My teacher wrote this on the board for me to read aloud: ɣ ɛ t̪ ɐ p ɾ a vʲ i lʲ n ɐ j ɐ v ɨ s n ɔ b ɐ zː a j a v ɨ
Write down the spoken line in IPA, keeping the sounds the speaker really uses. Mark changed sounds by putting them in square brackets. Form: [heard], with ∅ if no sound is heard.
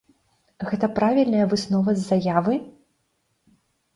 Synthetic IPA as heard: ɣ ɛ t̪ ɐ p ɾ a vʲ i lʲ n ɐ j ɐ v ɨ s n ɔ [v] ɐ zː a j a v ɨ

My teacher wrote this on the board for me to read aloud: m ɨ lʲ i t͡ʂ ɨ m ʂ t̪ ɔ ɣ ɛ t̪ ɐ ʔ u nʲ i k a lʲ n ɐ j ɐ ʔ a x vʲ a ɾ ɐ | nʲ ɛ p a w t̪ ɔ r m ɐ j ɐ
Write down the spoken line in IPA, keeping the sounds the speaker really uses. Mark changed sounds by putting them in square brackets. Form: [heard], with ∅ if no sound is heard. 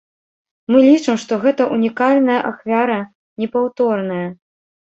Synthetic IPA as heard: m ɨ lʲ i t͡ʂ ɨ m ʂ t̪ ɔ ɣ ɛ t̪ ɐ ʔ u nʲ i k a lʲ n ɐ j ɐ ʔ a x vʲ a ɾ ɐ | nʲ ɛ p a w t̪ ɔ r [n] ɐ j ɐ

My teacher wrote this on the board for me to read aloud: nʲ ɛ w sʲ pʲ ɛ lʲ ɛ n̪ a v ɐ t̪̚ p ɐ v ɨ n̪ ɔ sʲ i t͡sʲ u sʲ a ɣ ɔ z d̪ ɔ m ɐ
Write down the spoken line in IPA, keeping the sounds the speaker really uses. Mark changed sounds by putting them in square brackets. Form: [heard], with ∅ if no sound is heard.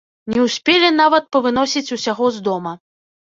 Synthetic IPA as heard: nʲ ɛ w sʲ pʲ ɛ lʲ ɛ n̪ a v ɐ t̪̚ p ɐ v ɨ n̪ ɔ sʲ i t͡sʲ u sʲ a ɣ ɔ z d̪ ɔ m ɐ

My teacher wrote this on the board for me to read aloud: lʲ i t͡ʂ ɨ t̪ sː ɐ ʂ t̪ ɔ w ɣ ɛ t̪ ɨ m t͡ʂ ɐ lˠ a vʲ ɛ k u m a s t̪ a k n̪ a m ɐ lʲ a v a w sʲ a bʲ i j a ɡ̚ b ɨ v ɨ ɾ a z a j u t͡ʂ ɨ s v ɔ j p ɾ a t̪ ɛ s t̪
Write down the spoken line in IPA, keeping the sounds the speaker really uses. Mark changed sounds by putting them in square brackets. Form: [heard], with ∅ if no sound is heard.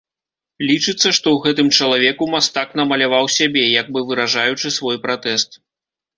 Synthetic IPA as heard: lʲ i t͡ʂ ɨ t̪ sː ɐ ʂ t̪ ɔ w ɣ ɛ t̪ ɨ m t͡ʂ ɐ lˠ a vʲ ɛ k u m a s t̪ a k n̪ [ɐ] m ɐ lʲ a v a w sʲ a bʲ [ɛ] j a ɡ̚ b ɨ v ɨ ɾ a [ʐ] a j u t͡ʂ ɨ s v ɔ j p ɾ a t̪ ɛ s t̪

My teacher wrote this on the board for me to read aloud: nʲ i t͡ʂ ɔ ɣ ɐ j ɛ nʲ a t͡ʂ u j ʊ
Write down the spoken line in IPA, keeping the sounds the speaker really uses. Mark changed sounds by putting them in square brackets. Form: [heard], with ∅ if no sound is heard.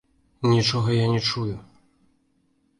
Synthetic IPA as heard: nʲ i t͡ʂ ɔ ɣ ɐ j [a] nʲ [ɛ] t͡ʂ u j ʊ

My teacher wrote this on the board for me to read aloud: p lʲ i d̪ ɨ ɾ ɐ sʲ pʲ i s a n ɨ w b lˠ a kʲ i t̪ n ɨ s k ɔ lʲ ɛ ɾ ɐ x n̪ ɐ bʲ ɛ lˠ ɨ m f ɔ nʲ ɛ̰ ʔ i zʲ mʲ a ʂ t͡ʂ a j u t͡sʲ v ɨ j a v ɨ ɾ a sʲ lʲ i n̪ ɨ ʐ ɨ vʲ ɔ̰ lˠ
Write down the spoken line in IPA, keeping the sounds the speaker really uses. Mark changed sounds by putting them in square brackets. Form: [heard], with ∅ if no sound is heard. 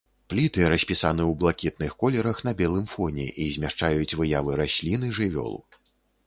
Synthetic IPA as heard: p lʲ i [t̪] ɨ ɾ ɐ sʲ pʲ i s a n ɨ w b lˠ a kʲ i t̪ n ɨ [x] k ɔ lʲ ɛ ɾ ɐ x n̪ ɐ bʲ ɛ lˠ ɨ m f ɔ nʲ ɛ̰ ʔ i zʲ mʲ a ʂ t͡ʂ a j u t͡sʲ v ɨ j a v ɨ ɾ a sʲ lʲ i n̪ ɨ ʐ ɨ vʲ ɔ̰ lˠ

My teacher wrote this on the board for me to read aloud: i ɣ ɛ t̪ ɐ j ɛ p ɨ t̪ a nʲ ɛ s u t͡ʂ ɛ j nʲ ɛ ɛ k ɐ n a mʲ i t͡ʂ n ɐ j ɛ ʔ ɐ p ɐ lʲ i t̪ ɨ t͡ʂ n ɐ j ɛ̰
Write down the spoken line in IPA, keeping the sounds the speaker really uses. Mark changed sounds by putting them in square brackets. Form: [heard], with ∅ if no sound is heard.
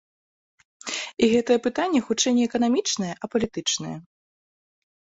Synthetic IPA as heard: i ɣ ɛ t̪ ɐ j ɛ p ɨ t̪ a [nʲː] ɛ [x] u t͡ʂ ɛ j nʲ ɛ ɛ k ɐ n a mʲ i t͡ʂ n ɐ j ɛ ʔ ɐ p ɐ lʲ i t̪ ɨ t͡ʂ n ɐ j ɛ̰

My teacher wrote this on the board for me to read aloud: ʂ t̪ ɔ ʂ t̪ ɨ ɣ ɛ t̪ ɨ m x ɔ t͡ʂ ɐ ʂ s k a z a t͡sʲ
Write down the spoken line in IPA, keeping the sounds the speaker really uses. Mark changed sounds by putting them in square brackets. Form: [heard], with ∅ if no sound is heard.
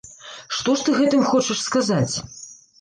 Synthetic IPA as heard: ʂ t̪ ɔ ʂ t̪ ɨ ɣ ɛ t̪ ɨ m x ɔ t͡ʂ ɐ ʂ s k a z a t͡sʲ

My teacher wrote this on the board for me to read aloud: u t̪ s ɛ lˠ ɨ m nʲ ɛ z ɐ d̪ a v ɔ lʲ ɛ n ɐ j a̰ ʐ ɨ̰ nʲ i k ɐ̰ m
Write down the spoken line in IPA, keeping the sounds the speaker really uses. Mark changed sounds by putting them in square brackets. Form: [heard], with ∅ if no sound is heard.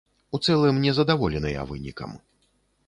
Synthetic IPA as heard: u t̪ s ɛ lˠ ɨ m nʲ ɛ z ɐ d̪ a v ɔ lʲ ɛ n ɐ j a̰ [v] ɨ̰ nʲ i k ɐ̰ m

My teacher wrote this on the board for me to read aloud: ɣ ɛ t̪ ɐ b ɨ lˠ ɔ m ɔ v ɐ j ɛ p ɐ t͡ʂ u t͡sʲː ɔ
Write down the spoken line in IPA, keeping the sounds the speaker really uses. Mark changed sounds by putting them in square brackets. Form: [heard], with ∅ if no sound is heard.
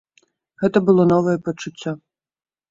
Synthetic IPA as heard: ɣ ɛ t̪ ɐ b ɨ lˠ ɔ [n] ɔ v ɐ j ɛ p ɐ t͡ʂ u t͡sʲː ɔ

